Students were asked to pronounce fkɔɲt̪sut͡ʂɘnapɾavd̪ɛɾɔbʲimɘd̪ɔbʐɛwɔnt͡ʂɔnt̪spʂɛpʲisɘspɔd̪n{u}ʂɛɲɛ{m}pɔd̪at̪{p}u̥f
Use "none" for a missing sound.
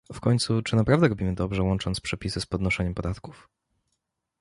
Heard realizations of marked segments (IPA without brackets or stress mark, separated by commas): ɔ, m, k